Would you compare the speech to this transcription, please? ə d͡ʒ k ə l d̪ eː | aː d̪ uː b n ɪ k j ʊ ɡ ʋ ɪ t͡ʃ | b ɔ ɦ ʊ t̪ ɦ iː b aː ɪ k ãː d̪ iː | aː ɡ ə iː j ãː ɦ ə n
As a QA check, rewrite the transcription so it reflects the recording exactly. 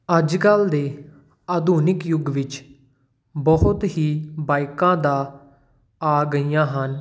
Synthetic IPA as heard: ə d͡ʒ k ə l d̪ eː | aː d̪ uː n ɪ k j ʊ ɡ ʋ ɪ t͡ʃ | b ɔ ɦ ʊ t̪ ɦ iː b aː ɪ k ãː d̪ aː | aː ɡ ə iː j ãː ɦ ə n